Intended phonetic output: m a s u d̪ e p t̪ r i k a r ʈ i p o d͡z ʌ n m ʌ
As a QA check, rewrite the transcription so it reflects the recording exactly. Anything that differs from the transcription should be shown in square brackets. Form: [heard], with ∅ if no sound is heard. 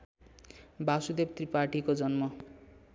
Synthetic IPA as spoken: [b] a s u d̪ e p t̪ r i [p] a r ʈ i [k] o d͡z ʌ n m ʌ